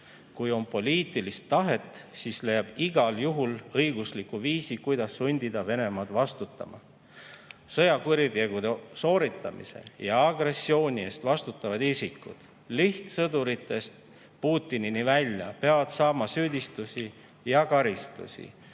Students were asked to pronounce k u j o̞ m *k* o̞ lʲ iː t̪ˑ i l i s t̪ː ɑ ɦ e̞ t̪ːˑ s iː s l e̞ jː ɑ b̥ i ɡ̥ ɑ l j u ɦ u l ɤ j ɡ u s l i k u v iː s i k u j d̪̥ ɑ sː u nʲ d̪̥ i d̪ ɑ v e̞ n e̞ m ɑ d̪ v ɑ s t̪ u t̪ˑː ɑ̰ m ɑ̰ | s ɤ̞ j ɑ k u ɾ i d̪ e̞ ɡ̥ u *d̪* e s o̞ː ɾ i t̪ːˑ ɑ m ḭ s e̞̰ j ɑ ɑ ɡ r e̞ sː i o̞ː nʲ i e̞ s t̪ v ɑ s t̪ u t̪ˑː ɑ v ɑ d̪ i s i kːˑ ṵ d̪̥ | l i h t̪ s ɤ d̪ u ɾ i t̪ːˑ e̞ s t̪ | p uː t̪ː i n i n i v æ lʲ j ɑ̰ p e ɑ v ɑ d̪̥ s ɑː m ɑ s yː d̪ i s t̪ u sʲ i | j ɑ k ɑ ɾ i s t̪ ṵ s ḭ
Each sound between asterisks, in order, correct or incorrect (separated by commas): incorrect, correct